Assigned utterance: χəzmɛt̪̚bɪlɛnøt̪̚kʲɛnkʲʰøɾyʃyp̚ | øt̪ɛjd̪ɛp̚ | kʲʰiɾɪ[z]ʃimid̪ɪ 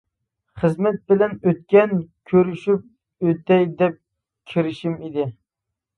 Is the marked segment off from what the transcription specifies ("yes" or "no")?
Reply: yes